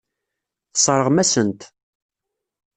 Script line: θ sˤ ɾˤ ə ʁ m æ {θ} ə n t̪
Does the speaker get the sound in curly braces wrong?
yes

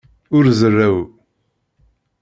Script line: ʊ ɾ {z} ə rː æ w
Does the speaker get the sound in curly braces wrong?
no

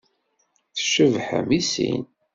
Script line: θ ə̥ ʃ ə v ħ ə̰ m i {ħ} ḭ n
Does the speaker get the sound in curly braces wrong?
yes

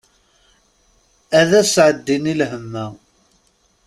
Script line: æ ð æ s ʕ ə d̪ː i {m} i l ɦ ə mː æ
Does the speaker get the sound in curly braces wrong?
yes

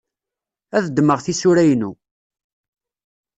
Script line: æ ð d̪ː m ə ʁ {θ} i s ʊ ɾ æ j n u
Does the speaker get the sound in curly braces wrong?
no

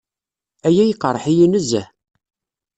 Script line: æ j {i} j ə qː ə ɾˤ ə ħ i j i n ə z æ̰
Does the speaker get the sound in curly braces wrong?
yes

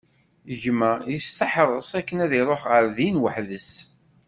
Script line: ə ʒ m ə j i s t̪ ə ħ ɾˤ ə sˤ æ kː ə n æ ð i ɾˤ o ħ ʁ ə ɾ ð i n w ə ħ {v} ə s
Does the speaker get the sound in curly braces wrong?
yes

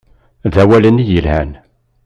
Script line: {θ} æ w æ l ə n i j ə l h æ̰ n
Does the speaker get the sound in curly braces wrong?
yes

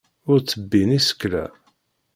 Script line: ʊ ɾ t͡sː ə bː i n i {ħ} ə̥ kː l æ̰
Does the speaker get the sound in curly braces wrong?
yes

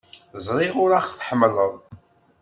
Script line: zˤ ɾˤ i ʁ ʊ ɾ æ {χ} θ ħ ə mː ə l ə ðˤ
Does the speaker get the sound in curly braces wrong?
no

